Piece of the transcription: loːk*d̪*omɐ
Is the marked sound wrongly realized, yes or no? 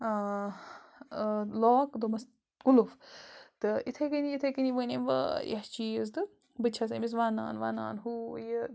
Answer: no